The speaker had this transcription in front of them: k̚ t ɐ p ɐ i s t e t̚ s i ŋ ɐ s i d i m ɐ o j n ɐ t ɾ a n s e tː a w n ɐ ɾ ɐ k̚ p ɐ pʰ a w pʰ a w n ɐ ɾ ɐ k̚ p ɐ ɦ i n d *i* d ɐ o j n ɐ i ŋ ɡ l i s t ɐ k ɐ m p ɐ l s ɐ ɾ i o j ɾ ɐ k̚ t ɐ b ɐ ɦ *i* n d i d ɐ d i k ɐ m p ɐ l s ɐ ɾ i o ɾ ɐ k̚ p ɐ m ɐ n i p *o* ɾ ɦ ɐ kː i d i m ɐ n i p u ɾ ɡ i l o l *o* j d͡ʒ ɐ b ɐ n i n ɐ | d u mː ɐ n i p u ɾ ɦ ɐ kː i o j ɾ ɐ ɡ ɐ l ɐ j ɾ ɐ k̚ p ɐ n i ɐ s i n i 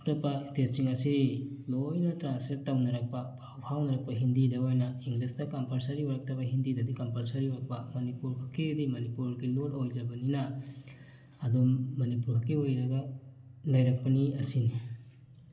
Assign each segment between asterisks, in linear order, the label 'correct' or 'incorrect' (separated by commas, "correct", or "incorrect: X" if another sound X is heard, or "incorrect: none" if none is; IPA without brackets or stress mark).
correct, correct, incorrect: u, correct